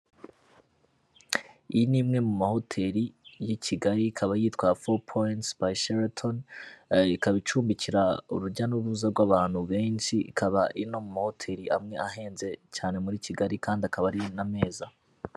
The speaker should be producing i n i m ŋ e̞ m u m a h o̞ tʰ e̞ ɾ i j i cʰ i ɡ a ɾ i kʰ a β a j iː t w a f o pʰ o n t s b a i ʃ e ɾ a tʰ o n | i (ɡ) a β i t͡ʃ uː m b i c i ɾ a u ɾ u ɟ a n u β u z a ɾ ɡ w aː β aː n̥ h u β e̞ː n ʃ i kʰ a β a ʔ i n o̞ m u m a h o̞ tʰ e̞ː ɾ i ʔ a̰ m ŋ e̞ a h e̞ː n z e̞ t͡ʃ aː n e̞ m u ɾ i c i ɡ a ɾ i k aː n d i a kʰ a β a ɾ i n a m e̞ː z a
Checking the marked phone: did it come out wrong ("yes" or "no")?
yes